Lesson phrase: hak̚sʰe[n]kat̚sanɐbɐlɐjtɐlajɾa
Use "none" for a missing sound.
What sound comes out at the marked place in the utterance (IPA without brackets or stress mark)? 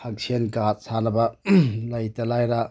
n